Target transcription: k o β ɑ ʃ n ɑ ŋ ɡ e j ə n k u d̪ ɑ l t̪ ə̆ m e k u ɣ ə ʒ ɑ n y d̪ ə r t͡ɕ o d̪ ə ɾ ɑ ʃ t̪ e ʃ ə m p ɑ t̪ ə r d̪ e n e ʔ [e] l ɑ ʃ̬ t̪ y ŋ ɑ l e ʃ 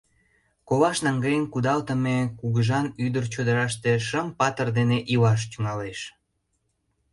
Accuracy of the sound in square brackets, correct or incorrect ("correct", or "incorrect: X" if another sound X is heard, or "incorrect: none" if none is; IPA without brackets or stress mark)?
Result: incorrect: i